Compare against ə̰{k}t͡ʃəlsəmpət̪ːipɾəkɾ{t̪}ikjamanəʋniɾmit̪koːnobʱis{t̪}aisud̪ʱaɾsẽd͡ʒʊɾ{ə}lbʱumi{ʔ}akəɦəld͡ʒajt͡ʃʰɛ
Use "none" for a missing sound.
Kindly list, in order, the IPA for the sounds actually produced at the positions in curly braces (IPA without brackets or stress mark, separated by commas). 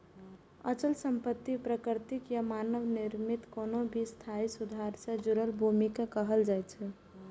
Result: none, t̪, t̪ʰ, ə, k